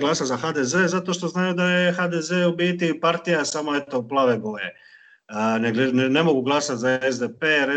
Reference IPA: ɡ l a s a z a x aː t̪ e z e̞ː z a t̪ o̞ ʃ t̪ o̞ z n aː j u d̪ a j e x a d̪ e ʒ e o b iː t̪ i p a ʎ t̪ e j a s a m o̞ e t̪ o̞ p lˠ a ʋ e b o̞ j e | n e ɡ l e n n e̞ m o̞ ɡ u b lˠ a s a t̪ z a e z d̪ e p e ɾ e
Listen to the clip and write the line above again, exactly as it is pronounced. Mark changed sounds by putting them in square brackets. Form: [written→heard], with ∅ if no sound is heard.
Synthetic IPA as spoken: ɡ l a s a z a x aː [t̪→d̪] e z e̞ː z a t̪ o̞ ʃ t̪ o̞ z n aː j u d̪ a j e x a d̪ e [ʒ→z] e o b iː t̪ i p a [ʎ→ɾ] t̪ [e→i] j a s a m o̞ e t̪ o̞ p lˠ a ʋ e b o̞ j e | n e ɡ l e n n e̞ m o̞ ɡ u [b→ɡ] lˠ a s a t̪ z a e z d̪ e p e ɾ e